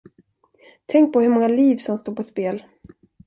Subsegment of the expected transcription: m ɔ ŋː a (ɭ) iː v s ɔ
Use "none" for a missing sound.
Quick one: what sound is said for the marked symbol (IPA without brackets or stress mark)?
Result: l